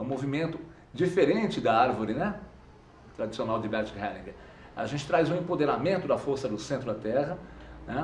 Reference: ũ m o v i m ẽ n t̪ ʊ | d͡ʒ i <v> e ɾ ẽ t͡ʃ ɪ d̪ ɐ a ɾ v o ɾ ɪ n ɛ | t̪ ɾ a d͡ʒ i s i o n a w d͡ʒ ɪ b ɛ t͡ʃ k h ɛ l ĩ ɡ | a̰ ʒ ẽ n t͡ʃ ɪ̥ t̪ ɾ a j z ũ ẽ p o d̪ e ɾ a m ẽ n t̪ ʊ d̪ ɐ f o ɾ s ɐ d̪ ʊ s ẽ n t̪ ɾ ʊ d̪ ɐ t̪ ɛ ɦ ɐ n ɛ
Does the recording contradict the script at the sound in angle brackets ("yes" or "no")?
yes